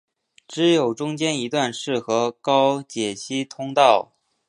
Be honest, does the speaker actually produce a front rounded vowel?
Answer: no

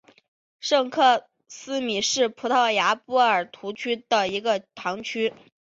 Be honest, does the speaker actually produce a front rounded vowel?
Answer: yes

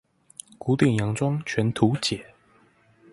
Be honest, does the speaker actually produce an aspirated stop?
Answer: yes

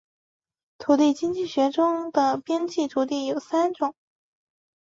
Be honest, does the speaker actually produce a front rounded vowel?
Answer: no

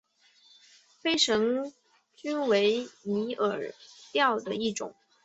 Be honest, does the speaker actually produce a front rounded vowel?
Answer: yes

